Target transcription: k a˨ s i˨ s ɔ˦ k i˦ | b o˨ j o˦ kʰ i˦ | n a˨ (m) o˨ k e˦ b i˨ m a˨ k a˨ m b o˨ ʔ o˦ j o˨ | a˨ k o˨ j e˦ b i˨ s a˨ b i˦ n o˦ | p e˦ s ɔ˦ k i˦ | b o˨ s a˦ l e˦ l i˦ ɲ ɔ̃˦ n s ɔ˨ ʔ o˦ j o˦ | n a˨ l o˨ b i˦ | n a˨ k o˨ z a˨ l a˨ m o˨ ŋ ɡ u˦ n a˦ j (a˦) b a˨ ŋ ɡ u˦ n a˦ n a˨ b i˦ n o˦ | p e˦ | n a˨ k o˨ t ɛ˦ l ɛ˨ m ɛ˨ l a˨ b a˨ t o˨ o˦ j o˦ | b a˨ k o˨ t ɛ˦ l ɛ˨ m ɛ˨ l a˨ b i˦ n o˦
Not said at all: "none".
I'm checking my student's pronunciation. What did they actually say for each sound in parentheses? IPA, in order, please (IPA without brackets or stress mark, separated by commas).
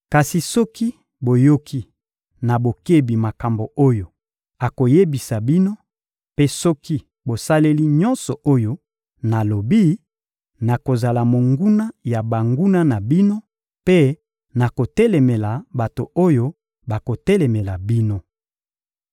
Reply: b, a˨